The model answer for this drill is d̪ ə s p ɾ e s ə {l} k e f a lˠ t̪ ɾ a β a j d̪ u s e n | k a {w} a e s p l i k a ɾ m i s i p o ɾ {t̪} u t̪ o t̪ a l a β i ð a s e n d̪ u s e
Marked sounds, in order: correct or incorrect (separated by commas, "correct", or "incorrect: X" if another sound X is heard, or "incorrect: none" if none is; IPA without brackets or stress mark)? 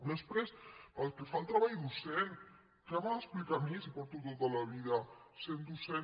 correct, incorrect: β, correct